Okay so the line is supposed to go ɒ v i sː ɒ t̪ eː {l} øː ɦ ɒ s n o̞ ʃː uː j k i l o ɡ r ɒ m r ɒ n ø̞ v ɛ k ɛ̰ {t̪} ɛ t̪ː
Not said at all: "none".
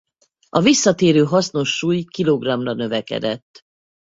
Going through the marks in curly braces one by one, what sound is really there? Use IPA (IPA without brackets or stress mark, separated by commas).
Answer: ɾ, d̪